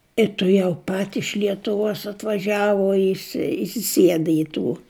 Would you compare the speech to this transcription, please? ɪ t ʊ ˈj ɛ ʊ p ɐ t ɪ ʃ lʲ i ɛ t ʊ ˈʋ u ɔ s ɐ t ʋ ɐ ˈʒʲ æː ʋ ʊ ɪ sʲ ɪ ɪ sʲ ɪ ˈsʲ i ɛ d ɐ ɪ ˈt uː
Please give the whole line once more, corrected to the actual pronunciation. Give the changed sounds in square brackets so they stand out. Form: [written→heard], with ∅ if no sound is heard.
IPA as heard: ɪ t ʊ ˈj ɛ ʊ p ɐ t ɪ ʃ lʲ i ɛ t ʊ ˈʋ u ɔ s ɐ t ʋ ɐ ˈʒʲ æː ʋ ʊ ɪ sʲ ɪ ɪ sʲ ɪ ˈsʲ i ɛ d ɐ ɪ ˈt uː